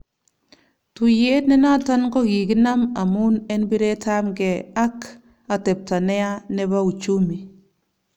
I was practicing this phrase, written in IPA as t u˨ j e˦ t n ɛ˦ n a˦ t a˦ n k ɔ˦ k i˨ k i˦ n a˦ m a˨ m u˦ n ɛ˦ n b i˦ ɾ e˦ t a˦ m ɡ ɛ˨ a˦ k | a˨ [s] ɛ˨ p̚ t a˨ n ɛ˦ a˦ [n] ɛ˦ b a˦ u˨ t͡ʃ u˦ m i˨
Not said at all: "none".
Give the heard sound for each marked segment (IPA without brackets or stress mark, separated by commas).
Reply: t, n